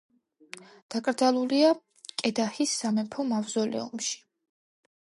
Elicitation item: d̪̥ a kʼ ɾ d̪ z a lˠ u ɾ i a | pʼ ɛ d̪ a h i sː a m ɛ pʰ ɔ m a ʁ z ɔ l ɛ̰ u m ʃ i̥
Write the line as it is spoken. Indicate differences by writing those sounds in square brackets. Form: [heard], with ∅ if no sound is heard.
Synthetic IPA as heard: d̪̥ a kʼ ɾ d̪ z a lˠ u [l] i a | [kʼ] ɛ d̪ a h i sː a m ɛ pʰ ɔ m a [v] z ɔ l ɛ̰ u m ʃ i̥